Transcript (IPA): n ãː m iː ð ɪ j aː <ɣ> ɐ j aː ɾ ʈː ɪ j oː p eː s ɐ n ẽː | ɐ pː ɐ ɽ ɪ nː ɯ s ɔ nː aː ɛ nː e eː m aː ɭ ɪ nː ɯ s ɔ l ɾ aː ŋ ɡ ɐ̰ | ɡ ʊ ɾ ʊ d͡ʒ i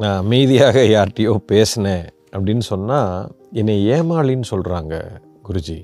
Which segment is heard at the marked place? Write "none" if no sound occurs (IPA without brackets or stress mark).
ɣ